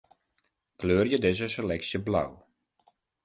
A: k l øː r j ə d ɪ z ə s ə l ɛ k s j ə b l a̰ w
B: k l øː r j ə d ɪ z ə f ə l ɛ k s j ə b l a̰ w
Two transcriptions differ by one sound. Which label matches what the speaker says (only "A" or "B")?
A